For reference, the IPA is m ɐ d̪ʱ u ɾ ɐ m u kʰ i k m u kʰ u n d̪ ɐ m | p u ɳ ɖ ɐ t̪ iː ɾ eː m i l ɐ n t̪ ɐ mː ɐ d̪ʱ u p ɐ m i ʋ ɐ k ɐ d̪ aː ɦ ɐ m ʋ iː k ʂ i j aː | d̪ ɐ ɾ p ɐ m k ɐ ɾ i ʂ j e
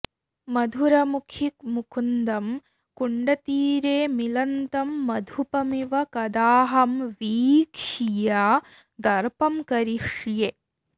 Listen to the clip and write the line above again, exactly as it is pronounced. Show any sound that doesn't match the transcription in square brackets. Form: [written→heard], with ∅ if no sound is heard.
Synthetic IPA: m ɐ d̪ʱ u ɾ ɐ m u kʰ i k m u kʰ u n d̪ ɐ m | [p→k] u ɳ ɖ ɐ t̪ iː ɾ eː m i l ɐ n t̪ ɐ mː ɐ d̪ʱ u p ɐ m i ʋ ɐ k ɐ d̪ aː ɦ ɐ m ʋ iː k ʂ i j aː | d̪ ɐ ɾ p ɐ m k ɐ ɾ i ʂ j e